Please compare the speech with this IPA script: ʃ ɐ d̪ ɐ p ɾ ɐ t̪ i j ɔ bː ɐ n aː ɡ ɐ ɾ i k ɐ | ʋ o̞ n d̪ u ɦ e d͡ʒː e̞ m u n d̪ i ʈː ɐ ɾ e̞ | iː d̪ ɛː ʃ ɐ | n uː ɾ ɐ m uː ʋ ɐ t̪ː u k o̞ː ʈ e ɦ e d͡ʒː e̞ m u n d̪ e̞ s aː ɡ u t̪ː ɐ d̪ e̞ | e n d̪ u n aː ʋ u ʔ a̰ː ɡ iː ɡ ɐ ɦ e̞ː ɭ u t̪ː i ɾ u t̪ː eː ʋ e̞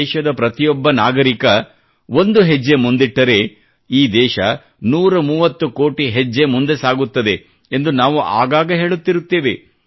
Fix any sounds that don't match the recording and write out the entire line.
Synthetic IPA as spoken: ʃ ɐ d̪ ɐ p ɾ ɐ t̪ i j ɔ bː ɐ n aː ɡ ɐ ɾ i k ɐ | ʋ o̞ n d̪ u ɦ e d͡ʒː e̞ m u n d̪ i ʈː ɐ ɾ e̞ | iː d̪ ɛː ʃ ɐ | n uː ɾ ɐ m uː ʋ ɐ t̪ː u k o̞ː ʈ i ɦ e d͡ʒː e̞ m u n d̪ e̞ s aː ɡ u t̪ː ɐ d̪ e̞ | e n d̪ u n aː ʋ u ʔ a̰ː ɡ aː ɡ ɐ ɦ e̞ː ɭ u t̪ː i ɾ u t̪ː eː ʋ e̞